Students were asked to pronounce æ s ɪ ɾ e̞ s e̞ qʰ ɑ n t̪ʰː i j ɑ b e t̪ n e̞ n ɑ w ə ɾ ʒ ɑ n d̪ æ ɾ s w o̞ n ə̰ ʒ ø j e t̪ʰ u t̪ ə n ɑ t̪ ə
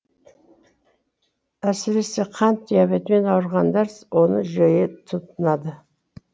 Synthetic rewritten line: æ s ɪ ɾ e̞ s e̞ qʰ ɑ n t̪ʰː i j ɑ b e t̪ m e̞ n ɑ w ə ɾ ʁ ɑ n d̪ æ ɾ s w o̞ n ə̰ ʒ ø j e t̪ʰ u t̪ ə n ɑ d̪ ə